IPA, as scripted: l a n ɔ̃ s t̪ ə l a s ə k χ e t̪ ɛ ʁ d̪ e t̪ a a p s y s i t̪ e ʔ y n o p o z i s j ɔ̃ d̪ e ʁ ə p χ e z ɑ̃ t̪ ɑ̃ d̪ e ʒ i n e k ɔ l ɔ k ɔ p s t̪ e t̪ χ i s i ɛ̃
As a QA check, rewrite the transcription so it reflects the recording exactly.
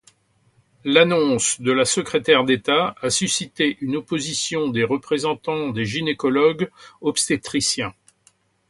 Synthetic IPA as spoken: l a n ɔ̃ s d̪ ə l a s ə k χ e t̪ ɛ ʁ d̪ e t̪ a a s y s i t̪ e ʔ y n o p o z i s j ɔ̃ d̪ e ʁ ə p χ e z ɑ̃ t̪ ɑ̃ d̪ e ʒ i n e k ɔ l ɔ ɡ ɔ p s t̪ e t̪ χ i s j ɛ̃